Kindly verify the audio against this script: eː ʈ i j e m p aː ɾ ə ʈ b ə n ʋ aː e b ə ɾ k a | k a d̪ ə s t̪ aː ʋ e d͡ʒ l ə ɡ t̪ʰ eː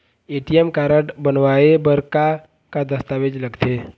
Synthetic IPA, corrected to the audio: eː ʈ i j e m k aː ɾ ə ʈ b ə n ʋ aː e b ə ɾ k a | k a d̪ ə s t̪ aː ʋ e d͡ʒ l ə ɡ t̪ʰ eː